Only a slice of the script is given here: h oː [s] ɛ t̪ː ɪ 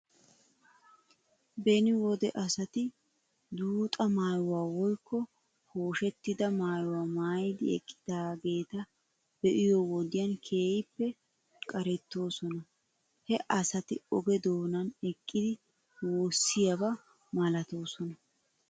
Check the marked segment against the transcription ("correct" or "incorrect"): incorrect